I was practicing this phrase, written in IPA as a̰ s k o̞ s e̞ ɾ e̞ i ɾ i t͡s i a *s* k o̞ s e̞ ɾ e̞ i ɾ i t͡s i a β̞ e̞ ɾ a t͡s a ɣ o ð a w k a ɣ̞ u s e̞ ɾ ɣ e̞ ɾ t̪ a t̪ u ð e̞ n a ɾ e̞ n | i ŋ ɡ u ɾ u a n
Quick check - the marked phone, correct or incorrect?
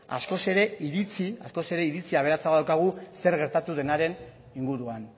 correct